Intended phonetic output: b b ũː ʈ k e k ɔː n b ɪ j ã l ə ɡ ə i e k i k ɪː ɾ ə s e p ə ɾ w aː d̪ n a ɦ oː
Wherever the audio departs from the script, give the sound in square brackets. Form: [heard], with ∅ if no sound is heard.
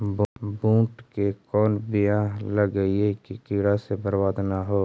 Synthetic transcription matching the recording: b b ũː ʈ k e k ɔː n b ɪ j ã l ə ɡ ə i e k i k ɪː ɾ [a] s e [b] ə ɾ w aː d̪ n a ɦ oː